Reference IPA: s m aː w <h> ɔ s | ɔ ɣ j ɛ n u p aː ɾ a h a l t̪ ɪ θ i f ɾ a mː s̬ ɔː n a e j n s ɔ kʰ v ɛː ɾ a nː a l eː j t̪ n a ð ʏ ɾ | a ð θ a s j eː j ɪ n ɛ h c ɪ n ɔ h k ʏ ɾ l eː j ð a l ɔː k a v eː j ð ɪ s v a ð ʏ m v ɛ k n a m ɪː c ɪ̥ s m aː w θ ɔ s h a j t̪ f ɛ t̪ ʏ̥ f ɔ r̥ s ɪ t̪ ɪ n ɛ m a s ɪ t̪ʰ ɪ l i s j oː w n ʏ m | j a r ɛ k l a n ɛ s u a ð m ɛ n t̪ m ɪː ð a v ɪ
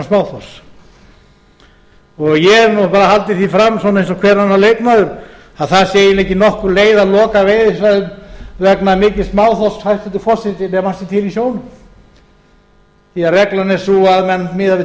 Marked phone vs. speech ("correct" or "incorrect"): incorrect